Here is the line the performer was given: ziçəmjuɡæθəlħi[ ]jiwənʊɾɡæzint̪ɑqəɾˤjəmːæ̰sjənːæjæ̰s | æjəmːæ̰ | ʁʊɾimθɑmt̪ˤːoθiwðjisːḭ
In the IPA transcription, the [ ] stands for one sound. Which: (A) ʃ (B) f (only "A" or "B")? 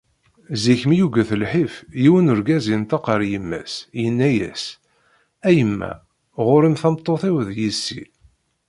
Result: B